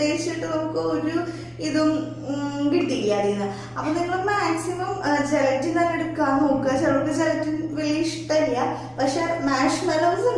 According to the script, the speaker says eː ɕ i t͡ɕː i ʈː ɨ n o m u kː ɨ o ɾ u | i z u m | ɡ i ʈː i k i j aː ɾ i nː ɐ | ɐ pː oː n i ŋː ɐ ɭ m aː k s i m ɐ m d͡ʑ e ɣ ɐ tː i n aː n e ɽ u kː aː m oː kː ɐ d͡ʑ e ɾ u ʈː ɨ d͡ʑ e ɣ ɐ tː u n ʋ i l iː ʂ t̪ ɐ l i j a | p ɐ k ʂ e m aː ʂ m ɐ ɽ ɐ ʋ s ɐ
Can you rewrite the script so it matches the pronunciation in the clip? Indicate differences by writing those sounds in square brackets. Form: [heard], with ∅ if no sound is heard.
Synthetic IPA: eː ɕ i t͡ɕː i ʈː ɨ n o m u kː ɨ o ɾ u | i [ð] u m | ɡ i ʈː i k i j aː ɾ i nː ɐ | ɐ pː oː n i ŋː ɐ ɭ m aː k s i m ɐ m d͡ʑ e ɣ ɐ tː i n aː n e ɽ u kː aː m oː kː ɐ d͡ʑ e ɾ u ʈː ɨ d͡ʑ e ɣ ɐ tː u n ʋ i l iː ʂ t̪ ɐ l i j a | p ɐ k ʂ e m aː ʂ m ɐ [l] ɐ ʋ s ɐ

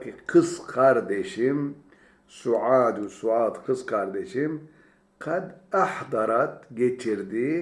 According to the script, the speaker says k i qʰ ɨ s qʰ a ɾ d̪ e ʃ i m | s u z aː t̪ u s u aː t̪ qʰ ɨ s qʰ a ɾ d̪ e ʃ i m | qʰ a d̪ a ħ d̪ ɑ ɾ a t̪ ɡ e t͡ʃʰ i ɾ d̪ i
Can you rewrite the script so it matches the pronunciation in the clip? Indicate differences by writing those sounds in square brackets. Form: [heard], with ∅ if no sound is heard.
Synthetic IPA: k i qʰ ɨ s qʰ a ɾ d̪ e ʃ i m | s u [ʕ] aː [d̪] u s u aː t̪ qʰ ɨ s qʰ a ɾ d̪ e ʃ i m | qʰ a d̪ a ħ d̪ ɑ ɾ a t̪ ɡ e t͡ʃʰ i ɾ d̪ i

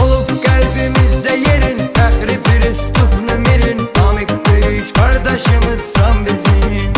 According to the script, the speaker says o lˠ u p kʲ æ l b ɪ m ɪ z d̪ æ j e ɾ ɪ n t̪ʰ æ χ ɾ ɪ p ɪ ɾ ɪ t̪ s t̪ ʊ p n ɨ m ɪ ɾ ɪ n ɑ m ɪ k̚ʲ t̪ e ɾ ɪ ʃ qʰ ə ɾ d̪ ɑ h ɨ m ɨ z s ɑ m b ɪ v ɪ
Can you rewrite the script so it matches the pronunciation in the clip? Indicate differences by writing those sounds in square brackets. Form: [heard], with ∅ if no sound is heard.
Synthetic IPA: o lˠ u p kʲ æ l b ɪ m ɪ z d̪ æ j e ɾ ɪ n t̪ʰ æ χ ɾ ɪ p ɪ ɾ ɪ [∅] s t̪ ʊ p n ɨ m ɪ ɾ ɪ n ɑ m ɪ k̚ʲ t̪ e ɾ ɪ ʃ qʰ [ɑ] ɾ d̪ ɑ [ʃ] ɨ m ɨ z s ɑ m b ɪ [z] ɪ

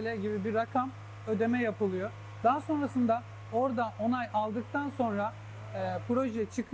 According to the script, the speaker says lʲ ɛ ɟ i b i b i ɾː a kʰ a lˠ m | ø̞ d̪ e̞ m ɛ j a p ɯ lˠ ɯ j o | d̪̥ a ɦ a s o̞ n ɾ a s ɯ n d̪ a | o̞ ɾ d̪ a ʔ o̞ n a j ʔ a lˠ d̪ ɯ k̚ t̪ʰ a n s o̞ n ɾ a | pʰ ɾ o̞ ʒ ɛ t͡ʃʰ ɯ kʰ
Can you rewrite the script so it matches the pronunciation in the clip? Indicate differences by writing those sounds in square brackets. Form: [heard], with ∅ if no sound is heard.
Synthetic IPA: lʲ ɛ ɟ i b i b i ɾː a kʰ a [∅] m | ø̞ d̪ e̞ m ɛ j a p ɯ lˠ ɯ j o | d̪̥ a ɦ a s o̞ n ɾ a s ɯ n d̪ a | o̞ ɾ d̪ a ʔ o̞ n a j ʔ a lˠ d̪ ɯ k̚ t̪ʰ a n s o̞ n ɾ a | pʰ ɾ o̞ ʒ ɛ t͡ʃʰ ɯ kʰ

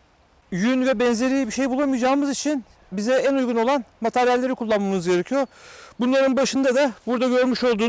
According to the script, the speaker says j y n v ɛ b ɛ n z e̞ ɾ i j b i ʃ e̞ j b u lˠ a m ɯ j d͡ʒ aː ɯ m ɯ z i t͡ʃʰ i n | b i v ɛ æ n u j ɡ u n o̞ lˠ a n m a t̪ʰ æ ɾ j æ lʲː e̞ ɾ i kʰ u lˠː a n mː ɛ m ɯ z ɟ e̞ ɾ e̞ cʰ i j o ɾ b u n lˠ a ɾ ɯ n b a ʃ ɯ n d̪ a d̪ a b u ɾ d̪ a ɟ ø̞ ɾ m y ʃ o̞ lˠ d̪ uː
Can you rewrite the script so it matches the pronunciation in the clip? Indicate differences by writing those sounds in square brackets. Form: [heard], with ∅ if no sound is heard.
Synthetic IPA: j y n v ɛ b ɛ n z e̞ ɾ i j b i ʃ e̞ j b u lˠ a m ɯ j d͡ʒ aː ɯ m ɯ z i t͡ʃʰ i n | b i [z] ɛ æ n u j ɡ u n o̞ lˠ a n m a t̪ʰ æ ɾ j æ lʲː e̞ ɾ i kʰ u lˠː a n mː [a] m ɯ z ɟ e̞ ɾ e̞ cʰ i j o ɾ b u n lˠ a ɾ ɯ n b a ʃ ɯ n d̪ a d̪ a b u ɾ d̪ a ɟ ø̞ ɾ m y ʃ o̞ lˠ d̪ uː

